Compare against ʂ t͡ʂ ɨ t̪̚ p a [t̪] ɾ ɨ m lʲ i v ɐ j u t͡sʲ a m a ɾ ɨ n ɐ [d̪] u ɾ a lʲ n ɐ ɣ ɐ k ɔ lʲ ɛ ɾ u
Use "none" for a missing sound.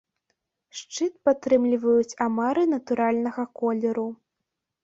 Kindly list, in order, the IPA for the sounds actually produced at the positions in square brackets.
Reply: t̪, t̪

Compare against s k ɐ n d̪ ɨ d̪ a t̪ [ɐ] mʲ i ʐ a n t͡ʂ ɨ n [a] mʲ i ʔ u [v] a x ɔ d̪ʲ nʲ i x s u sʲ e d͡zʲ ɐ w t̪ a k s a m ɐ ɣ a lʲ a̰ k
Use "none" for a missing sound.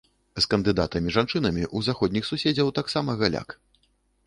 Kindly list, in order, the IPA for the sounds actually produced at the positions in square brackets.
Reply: ɐ, ɐ, z

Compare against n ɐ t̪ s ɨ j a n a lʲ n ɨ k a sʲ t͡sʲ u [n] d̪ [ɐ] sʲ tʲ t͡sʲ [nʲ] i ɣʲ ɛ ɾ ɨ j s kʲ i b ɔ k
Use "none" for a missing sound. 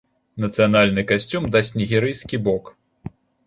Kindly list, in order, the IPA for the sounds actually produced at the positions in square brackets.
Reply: m, a, nʲ

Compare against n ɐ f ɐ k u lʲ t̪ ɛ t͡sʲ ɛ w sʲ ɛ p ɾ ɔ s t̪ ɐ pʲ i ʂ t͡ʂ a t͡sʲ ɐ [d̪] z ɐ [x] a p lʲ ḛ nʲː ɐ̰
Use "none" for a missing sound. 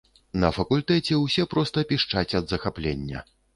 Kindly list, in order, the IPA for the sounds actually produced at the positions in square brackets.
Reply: d̪, x

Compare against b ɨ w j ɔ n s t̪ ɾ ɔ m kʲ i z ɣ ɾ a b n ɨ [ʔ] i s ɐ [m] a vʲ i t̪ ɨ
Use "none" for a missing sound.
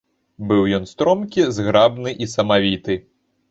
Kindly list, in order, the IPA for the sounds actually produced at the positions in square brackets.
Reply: ʔ, m

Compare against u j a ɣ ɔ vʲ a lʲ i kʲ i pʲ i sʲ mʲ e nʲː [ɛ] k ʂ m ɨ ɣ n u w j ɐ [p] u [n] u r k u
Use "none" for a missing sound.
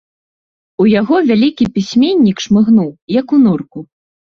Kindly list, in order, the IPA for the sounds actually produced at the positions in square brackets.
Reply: i, k, n

